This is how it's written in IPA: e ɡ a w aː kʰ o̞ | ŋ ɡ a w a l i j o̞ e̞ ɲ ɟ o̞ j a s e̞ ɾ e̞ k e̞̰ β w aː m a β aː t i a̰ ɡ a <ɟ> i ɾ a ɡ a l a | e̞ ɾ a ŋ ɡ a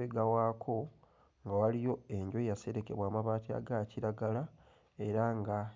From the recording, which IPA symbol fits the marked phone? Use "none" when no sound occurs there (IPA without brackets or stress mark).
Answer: c